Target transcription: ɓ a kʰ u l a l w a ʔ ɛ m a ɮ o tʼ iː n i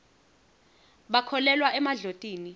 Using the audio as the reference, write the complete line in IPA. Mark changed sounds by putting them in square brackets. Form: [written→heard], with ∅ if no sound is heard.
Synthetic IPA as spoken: ɓ a kʰ [u→ɔ] l [a→ɛ] l w a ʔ ɛ m a ɮ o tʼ iː n i